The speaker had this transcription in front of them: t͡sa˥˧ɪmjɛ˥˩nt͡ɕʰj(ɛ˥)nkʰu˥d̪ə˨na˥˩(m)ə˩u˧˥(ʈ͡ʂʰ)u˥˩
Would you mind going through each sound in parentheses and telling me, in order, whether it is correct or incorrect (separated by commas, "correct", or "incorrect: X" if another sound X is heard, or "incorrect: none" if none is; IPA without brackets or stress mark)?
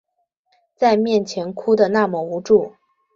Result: incorrect: ɛ˧˥, correct, incorrect: ʈ͡ʂ